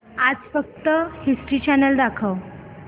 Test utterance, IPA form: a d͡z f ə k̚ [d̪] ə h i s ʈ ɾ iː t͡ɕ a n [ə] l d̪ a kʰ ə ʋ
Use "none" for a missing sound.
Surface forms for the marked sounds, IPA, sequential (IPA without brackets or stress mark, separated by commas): t̪, ə